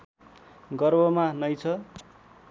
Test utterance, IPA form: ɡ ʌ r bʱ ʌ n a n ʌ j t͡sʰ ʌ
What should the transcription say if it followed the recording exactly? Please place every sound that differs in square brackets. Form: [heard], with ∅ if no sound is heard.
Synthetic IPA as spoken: ɡ ʌ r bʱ ʌ [m] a n ʌ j t͡sʰ ʌ

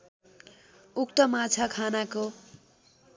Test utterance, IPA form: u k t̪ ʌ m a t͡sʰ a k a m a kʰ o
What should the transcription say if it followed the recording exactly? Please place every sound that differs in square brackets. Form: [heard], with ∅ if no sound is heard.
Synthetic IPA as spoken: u k t̪ ʌ m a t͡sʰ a [kʰ] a [n] a [k] o

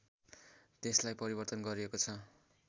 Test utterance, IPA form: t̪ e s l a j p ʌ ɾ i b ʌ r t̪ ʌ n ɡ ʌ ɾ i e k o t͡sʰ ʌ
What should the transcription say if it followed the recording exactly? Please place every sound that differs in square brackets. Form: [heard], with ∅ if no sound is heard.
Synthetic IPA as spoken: t̪ e s l a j p ʌ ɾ i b ʌ r t̪ ʌ n ɡ ʌ ɾ i e k o t͡sʰ ʌ

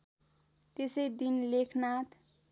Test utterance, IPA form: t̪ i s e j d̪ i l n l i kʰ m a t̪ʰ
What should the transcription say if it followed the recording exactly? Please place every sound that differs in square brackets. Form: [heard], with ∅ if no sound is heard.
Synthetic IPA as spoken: t̪ [e] s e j d̪ i [∅] n l [e] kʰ [n] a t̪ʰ

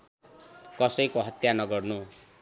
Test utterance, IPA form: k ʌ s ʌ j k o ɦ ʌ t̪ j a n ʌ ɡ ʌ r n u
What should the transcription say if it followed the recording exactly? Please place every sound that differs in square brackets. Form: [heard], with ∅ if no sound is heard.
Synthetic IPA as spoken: k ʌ s ʌ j k o ɦ ʌ t̪ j a n ʌ ɡ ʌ r n u

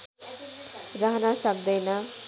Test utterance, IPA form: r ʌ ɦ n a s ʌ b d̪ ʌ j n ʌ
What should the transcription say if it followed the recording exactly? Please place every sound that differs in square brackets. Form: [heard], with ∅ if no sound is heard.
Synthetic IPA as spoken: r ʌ ɦ n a s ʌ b d̪ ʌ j n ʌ

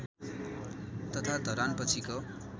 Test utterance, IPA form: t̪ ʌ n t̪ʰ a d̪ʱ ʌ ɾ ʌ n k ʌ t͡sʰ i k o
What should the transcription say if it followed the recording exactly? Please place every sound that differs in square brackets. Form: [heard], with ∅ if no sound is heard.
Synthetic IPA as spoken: t̪ ʌ [∅] t̪ʰ a d̪ʱ ʌ ɾ [a] n [p] ʌ t͡sʰ i k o

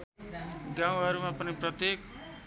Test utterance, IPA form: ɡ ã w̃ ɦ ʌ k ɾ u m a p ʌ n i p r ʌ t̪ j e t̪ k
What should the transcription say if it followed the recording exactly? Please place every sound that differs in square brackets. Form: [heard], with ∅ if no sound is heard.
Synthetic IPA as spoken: ɡ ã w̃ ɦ ʌ [∅] ɾ u m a p ʌ n i p r ʌ t̪ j e [∅] k

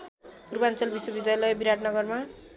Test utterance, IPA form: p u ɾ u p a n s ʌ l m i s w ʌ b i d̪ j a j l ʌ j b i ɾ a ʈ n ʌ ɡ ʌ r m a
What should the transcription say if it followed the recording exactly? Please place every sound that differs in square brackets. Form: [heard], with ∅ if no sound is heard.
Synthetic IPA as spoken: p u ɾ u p a n [t͡s] ʌ l [b] i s w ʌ b i d̪ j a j l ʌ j b i ɾ a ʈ n ʌ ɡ ʌ r m a

